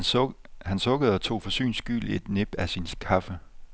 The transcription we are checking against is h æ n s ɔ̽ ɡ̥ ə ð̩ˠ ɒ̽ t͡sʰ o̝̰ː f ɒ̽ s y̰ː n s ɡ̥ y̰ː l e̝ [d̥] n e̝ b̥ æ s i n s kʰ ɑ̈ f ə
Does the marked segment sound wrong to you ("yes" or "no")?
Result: no